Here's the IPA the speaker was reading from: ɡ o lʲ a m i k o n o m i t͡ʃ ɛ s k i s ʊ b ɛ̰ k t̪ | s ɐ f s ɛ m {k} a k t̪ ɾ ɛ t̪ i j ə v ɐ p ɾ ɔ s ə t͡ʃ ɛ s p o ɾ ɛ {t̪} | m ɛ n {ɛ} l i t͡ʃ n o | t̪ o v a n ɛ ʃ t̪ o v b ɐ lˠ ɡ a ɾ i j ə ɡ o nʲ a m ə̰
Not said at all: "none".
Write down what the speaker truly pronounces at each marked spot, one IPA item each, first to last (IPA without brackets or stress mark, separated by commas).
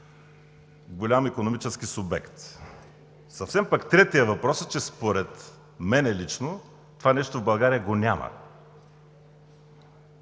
p, t̪, ɛ